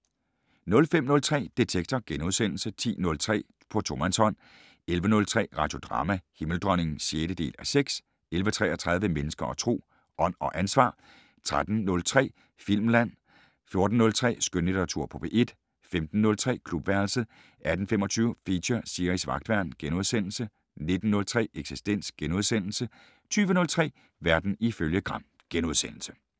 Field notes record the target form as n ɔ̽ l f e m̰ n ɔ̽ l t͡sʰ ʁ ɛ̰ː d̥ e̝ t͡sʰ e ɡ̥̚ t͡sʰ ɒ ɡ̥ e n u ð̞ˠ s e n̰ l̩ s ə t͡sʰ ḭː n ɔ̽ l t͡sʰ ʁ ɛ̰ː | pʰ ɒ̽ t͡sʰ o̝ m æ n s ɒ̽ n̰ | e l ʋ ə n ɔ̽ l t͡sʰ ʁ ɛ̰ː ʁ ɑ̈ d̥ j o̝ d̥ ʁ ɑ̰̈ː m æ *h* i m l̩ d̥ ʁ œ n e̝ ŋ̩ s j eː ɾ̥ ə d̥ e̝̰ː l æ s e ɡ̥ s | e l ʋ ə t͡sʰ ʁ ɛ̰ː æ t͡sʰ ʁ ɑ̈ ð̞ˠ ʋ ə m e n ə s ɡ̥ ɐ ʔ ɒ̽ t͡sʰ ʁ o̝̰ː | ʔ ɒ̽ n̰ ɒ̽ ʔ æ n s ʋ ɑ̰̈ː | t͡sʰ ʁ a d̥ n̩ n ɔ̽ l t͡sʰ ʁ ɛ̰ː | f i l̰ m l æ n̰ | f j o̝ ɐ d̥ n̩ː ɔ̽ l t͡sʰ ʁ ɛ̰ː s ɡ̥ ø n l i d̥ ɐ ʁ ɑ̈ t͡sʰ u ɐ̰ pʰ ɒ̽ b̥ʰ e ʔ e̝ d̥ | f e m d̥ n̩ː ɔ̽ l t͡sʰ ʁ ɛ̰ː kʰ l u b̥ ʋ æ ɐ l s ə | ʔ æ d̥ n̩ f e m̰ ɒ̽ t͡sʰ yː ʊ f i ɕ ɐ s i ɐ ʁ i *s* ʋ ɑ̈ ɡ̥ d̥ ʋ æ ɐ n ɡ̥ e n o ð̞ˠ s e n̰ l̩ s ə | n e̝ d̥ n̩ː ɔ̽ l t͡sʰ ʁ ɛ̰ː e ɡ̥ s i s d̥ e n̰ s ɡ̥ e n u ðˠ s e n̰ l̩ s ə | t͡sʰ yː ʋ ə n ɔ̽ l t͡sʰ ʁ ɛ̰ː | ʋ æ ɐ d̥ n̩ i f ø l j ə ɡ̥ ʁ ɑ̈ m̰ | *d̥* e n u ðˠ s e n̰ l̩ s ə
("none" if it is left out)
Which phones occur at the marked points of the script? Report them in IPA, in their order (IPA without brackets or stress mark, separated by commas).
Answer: h, s, ɡ̥